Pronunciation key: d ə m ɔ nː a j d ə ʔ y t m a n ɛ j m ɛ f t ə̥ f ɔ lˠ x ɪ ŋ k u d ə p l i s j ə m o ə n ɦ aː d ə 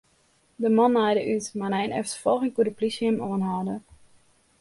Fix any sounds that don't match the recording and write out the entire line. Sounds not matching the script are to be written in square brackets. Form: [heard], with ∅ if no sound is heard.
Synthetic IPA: d ə m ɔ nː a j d ə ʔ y t m a n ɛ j [n] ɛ f t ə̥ f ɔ lˠ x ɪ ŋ k u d ə p l i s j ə m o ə n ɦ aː d ə

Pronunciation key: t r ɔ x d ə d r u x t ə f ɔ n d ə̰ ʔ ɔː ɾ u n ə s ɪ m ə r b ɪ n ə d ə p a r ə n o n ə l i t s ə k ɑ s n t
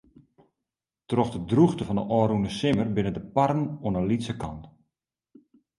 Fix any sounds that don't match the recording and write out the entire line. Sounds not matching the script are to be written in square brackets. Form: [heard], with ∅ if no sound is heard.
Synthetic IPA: t r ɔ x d ə d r u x t ə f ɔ n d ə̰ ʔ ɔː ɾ u n ə s ɪ m ə r b ɪ n ə d ə p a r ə n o n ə l i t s ə k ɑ [∅] n t

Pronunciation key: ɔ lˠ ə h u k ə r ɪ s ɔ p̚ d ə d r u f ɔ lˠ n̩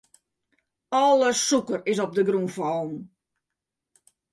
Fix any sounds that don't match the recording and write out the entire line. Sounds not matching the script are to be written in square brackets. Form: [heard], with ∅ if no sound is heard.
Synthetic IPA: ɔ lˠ ə [s] u k ə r ɪ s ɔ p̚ d ə [ɡ] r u f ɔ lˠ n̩

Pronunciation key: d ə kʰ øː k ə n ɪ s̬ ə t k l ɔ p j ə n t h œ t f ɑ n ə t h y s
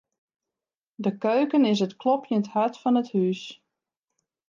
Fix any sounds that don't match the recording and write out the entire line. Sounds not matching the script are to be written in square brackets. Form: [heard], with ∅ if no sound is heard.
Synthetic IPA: d ə [k] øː k ə n ɪ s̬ ə t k l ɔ p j ə n t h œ t f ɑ n ə t h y s

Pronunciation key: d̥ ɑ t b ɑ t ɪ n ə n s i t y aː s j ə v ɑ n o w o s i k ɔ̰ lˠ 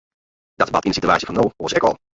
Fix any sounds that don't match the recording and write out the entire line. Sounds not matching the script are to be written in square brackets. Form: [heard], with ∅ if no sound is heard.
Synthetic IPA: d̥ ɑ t b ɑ t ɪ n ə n s i t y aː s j ə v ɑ n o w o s [ɛ] k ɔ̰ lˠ

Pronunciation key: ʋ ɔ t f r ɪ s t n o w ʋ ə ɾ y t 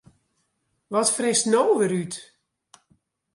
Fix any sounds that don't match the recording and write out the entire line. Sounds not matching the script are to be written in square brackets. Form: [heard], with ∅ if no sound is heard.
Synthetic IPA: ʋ ɔ t f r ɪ s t n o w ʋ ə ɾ y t

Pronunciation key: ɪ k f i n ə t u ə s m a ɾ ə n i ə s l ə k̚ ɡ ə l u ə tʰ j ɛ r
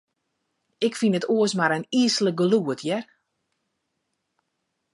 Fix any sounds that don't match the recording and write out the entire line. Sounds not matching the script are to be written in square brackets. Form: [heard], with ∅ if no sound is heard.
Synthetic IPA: ɪ k f i n ə t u ə s m a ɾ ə n i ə s l ə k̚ ɡ ə l u ə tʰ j ɛ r

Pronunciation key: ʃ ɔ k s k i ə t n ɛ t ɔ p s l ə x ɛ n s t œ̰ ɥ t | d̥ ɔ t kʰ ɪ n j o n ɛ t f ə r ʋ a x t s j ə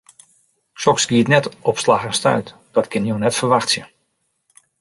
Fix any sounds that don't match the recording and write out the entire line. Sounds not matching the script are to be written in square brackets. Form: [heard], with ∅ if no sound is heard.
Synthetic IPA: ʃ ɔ k s [ɡ] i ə t n ɛ t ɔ p s l [a] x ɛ n s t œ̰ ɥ t | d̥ ɔ t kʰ ɪ n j o n ɛ t f ə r ʋ a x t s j ə

